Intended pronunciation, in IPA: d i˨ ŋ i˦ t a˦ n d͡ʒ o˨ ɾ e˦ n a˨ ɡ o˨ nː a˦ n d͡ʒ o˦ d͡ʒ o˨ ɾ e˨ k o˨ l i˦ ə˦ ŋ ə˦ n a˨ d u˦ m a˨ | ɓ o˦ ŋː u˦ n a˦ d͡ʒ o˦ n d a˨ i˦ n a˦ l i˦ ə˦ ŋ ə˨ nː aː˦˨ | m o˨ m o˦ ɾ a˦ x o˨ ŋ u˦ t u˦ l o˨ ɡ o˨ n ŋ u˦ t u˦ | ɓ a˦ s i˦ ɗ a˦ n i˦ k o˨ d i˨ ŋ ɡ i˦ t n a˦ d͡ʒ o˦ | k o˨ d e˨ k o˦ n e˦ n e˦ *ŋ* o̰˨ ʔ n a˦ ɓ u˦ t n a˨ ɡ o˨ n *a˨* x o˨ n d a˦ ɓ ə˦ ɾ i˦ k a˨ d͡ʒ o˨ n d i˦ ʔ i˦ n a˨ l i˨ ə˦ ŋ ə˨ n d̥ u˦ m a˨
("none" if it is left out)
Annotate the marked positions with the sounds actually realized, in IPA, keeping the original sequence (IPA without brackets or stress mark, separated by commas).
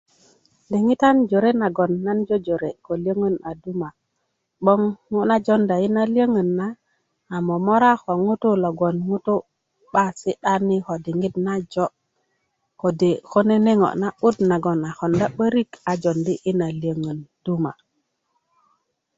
ŋ, a˨